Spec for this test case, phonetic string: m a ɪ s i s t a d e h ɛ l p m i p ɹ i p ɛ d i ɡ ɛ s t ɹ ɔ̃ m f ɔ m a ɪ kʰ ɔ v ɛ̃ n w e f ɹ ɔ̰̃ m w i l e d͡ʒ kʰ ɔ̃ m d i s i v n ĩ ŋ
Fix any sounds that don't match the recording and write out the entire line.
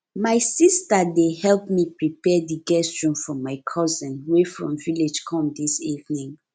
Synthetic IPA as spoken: m a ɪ s i s t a d e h ɛ l p m i p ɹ i p ɛ d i ɡ ɛ s t ɹ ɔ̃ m f ɔ m a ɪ kʰ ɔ z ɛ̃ n w e f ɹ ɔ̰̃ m v i l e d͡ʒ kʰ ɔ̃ m d i s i v n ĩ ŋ